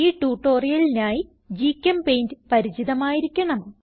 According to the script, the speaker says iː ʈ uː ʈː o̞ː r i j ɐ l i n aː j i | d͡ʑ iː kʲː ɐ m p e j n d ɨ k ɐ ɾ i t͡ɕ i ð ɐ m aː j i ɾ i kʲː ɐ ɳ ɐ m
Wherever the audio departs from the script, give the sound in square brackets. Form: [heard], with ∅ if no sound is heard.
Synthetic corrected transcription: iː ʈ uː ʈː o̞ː r i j ɐ l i n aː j i | d͡ʑ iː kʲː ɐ m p e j n d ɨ [p] ɐ ɾ i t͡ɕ i ð ɐ m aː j i ɾ i kʲː ɐ ɳ ɐ m